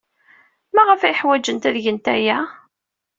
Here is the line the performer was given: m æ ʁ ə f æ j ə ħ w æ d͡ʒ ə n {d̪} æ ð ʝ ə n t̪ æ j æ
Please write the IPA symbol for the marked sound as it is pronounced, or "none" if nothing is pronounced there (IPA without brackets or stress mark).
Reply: t̪